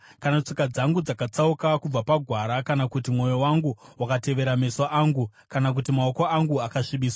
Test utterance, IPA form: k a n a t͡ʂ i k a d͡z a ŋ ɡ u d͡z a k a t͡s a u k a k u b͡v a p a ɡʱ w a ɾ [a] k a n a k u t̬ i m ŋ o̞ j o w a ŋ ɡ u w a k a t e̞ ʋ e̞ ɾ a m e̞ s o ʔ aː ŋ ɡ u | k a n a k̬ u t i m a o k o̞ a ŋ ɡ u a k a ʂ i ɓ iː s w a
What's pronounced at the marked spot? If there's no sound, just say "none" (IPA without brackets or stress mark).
a